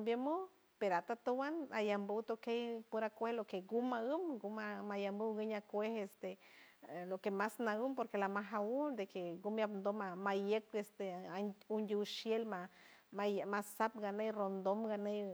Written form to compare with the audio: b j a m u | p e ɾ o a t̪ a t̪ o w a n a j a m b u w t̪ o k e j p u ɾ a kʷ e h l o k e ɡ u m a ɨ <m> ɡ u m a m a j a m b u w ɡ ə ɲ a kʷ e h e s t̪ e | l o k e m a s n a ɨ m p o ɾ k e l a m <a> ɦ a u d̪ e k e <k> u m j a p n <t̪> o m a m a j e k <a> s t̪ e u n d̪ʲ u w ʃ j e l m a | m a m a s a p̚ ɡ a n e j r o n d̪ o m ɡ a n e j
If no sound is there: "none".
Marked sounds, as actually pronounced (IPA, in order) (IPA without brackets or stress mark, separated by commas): m, a, ɡ, d̪, e